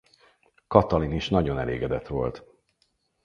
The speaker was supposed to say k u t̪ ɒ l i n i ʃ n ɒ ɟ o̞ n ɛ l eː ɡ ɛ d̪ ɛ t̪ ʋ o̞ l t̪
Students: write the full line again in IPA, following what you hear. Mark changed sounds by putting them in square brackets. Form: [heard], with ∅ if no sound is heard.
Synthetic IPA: k [ɒ] t̪ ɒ l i n i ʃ n ɒ ɟ o̞ n ɛ l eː ɡ ɛ d̪ ɛ t̪ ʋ o̞ l t̪